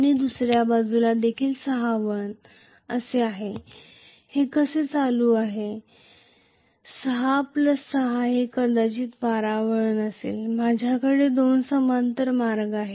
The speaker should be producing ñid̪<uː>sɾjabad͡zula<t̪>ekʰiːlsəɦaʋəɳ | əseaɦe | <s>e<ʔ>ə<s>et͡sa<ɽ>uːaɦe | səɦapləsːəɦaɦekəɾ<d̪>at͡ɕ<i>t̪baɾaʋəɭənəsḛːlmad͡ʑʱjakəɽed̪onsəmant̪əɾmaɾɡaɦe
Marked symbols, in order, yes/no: no, no, no, no, yes, no, yes, no

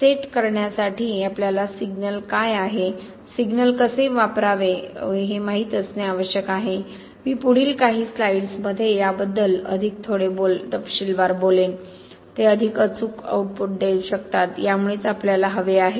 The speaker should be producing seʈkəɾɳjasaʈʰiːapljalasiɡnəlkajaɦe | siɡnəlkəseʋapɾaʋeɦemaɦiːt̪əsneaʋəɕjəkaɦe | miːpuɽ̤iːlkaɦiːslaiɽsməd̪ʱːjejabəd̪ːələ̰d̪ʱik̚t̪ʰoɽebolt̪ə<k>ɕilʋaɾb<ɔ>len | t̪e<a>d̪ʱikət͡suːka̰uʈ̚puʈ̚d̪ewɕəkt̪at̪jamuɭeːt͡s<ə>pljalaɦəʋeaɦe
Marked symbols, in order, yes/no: no, no, no, no

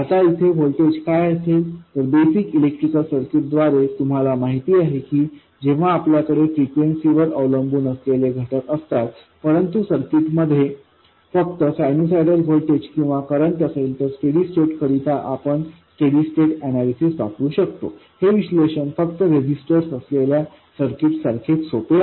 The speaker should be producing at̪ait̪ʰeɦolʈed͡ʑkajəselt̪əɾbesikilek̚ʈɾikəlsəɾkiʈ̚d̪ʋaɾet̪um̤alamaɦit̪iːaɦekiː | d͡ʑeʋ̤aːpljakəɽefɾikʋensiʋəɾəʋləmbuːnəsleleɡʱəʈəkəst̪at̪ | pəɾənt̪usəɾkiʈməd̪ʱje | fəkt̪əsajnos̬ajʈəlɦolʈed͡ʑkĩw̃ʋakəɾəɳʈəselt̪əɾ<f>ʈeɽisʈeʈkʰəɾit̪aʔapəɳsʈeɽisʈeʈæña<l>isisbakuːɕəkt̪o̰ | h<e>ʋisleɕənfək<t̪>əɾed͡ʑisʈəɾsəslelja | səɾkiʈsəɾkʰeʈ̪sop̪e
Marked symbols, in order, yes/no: no, yes, yes, yes

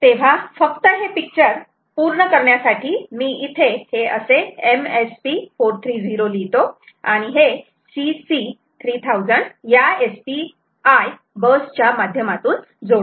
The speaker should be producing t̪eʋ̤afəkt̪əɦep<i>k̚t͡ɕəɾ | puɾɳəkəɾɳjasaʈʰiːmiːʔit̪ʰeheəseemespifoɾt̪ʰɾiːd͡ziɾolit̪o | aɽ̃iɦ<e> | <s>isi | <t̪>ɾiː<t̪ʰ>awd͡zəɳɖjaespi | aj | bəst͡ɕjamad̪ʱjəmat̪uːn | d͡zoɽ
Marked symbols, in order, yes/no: yes, yes, yes, no, yes

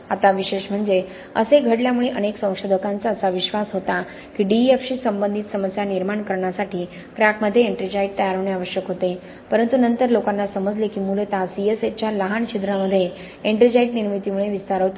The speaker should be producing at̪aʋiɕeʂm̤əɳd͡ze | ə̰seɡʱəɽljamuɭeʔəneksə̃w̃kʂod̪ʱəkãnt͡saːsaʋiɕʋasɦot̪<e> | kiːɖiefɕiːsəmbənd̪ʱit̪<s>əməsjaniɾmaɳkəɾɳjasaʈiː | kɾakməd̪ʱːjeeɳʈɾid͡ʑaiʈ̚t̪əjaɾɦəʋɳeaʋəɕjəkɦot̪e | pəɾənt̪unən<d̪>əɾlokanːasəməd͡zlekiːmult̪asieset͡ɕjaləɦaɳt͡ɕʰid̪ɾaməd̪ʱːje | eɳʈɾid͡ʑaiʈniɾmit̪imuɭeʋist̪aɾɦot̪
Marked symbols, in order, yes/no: no, yes, no

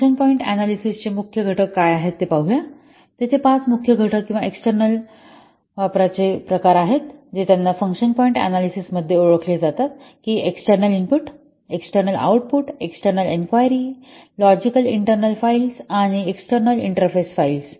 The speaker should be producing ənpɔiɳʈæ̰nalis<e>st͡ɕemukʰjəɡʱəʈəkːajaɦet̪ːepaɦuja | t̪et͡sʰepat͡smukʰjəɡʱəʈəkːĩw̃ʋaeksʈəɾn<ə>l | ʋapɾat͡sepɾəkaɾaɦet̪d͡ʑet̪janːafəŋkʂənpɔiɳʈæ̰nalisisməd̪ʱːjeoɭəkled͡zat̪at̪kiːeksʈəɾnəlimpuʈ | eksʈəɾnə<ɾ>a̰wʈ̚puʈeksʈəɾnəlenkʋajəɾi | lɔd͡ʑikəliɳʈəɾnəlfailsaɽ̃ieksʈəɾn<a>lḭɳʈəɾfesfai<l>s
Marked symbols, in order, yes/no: no, yes, no, no, yes

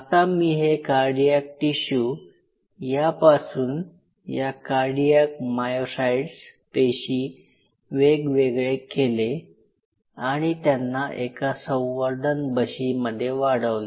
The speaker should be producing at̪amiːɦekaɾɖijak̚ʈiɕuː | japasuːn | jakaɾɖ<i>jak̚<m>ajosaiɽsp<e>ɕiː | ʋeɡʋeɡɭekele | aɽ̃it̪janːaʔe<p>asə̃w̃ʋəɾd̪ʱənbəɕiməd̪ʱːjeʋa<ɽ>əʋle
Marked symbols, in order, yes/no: yes, yes, yes, no, yes

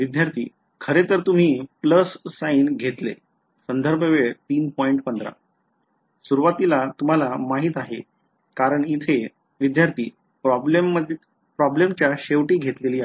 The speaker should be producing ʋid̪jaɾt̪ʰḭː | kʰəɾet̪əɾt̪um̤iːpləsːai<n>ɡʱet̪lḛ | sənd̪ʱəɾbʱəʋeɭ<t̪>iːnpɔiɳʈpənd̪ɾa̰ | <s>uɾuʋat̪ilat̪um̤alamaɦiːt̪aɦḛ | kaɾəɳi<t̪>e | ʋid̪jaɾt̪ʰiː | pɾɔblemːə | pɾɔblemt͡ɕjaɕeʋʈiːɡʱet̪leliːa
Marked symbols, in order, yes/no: yes, yes, yes, no

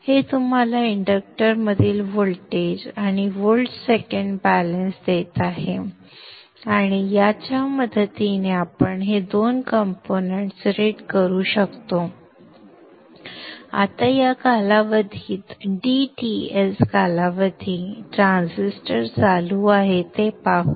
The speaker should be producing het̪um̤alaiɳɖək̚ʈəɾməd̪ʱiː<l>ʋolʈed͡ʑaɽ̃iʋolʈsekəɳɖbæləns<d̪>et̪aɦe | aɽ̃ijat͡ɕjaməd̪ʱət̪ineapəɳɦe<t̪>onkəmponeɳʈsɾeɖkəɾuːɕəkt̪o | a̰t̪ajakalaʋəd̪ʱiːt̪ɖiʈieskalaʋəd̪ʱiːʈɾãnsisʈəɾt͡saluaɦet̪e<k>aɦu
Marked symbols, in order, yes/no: yes, yes, no, no

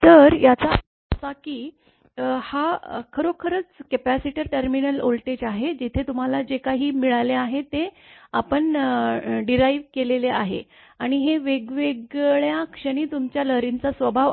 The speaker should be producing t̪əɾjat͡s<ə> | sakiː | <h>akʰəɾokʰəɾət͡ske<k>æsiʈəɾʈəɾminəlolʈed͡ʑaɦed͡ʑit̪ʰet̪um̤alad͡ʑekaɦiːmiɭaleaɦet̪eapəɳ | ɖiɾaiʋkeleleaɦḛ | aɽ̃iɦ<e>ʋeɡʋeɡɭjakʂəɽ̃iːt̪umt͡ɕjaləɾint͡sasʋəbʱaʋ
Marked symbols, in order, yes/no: no, yes, no, yes

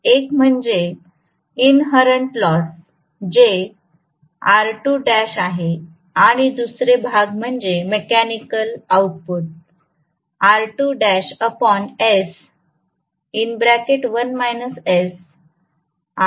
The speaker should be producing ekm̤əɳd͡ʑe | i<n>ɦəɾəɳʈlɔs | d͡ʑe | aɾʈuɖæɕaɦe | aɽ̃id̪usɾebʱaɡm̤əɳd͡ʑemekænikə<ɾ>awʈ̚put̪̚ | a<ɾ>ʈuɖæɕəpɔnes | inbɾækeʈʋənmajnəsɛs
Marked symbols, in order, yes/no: yes, no, yes

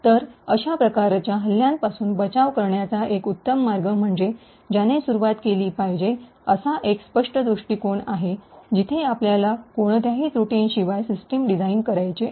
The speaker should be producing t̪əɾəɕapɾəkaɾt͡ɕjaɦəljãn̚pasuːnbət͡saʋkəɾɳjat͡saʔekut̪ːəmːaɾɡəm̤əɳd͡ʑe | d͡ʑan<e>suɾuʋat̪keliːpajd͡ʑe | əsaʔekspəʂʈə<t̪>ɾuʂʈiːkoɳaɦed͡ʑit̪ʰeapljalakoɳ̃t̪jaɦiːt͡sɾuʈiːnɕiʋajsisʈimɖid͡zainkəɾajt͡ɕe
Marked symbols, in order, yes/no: yes, no

